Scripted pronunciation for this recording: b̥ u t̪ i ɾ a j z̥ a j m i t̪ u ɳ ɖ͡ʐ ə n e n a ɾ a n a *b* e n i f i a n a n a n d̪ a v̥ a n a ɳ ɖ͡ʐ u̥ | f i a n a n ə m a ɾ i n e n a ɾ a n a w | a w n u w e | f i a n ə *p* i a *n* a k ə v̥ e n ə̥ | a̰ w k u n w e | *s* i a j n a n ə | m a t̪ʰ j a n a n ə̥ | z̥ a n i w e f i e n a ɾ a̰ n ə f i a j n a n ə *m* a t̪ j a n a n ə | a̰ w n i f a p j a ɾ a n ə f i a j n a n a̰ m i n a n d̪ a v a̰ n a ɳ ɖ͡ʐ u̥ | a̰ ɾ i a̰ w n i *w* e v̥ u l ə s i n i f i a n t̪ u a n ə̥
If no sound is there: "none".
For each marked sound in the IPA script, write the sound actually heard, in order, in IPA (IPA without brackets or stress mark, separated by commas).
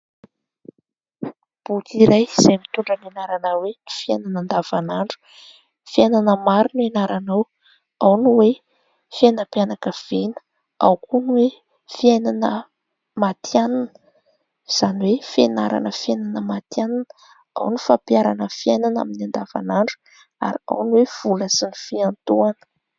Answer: w, p, n, f, m, w